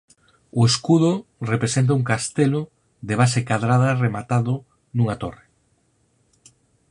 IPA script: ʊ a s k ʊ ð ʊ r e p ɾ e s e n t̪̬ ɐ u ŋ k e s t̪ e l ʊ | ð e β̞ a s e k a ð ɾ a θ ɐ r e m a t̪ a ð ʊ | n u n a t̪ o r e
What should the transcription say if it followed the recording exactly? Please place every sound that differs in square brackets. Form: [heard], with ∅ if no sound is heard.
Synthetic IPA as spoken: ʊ [e] s k [u] ð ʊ r e p ɾ e s e n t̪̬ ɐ u ŋ k [a] s t̪ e l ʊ | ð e β̞ a s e k a ð ɾ a [ð] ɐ r e m a t̪ a ð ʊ | n u [ŋ] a t̪ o r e